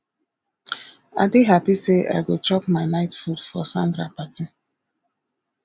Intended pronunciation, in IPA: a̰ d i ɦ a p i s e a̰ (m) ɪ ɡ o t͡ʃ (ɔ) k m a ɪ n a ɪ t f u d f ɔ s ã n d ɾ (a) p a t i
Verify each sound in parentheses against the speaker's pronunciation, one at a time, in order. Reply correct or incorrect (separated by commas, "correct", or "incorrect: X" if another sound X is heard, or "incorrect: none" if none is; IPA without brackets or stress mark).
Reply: incorrect: none, correct, correct